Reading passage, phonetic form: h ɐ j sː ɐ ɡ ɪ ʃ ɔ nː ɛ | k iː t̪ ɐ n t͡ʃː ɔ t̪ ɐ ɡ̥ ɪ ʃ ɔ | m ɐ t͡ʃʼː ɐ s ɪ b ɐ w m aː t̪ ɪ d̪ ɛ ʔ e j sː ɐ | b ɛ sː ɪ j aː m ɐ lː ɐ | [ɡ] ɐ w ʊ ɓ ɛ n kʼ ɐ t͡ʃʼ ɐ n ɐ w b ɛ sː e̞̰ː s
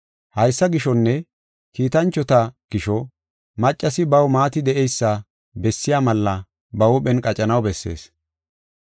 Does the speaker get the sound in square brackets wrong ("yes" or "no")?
yes